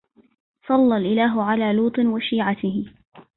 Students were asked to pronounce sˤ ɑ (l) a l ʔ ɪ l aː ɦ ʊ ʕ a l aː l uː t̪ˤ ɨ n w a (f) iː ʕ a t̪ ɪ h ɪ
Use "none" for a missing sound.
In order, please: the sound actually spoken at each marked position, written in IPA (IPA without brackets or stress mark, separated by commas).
lː, ʃ